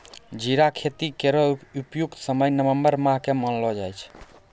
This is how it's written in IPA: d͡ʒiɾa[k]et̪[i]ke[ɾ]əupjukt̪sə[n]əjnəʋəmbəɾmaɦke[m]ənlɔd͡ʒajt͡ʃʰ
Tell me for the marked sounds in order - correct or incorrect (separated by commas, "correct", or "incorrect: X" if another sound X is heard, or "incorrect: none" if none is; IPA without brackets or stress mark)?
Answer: incorrect: kʰ, correct, correct, incorrect: m, correct